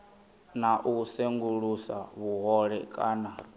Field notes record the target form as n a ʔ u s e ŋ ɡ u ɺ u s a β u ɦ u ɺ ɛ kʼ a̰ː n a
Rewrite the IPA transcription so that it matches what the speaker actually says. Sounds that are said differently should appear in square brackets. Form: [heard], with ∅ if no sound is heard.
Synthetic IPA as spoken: n a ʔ u s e ŋ ɡ u ɺ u s a β u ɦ [ɔ] ɺ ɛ kʼ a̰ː n a